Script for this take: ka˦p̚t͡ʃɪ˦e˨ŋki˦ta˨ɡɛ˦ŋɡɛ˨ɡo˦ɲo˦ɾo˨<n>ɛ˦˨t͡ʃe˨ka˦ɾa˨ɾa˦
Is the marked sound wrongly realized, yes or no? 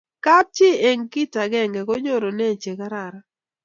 no